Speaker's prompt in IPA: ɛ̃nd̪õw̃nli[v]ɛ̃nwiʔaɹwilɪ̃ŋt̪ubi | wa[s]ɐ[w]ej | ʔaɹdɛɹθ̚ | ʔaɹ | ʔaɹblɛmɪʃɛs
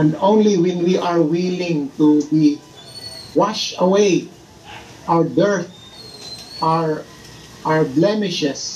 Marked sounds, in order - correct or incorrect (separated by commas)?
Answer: incorrect, incorrect, correct